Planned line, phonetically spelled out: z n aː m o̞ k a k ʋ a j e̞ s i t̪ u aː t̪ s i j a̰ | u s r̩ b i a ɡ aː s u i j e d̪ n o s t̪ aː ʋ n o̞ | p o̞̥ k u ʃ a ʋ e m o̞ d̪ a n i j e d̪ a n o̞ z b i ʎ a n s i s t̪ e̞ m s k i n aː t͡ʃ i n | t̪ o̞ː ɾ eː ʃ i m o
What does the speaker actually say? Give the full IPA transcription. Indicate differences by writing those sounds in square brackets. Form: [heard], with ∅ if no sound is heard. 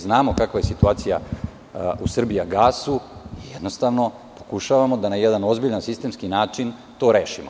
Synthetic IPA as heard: z n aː m o̞ k a k ʋ a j e̞ s i t̪ u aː t̪ s i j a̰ | u s r̩ b i a ɡ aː s u i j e d̪ n o s t̪ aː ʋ n o̞ | p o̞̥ k u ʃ a ʋ [a] m o̞ d̪ a n [a] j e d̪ a n o̞ z b i ʎ a n s i s t̪ e̞ m s k i n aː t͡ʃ i n | t̪ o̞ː ɾ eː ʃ i m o